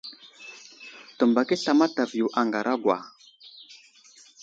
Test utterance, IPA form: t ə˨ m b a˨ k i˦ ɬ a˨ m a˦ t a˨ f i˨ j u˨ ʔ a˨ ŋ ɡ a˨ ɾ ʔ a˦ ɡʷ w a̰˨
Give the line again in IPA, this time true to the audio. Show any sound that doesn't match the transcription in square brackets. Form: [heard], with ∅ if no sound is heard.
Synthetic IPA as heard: t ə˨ m b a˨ k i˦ ɬ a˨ m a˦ t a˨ [v] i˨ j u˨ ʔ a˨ ŋ ɡ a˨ ɾ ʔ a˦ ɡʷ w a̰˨